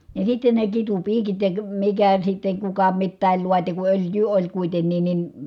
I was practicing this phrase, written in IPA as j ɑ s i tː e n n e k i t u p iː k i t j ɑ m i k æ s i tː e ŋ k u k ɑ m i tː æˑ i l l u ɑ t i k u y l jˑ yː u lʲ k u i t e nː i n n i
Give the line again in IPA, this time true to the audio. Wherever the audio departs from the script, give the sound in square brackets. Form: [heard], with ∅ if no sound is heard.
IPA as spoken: j ɑ s i tː e n n e k i t u p iː k i t j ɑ m i k æ s i tː e ŋ k u k ɑ m i tː æˑ i l l u ɑ t i k u [ø] l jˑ yː [o] lʲ k u i t e nː i n n i